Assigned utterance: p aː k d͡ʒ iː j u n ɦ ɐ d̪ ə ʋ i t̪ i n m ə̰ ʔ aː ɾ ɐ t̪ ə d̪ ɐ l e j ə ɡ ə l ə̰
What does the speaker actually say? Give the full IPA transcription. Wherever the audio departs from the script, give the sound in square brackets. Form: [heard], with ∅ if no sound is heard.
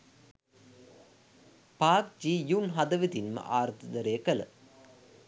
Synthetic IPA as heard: p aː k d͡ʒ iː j u n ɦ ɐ d̪ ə ʋ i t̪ i n m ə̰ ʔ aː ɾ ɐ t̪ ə d̪ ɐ [ɾ] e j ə [k] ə l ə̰